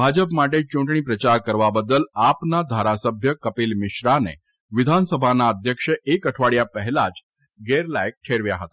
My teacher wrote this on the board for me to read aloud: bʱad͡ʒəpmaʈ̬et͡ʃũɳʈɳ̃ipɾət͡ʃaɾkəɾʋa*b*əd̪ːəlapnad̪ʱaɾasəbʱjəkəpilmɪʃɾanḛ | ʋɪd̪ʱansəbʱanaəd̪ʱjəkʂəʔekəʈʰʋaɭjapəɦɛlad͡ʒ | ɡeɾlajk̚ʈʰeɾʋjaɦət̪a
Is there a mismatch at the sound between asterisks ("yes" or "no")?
no